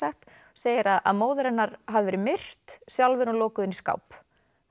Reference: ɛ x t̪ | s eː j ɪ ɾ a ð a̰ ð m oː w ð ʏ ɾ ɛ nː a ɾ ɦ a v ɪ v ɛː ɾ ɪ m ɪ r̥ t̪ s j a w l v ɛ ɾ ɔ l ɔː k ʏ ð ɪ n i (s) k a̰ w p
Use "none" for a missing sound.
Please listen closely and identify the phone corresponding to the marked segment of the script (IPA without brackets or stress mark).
s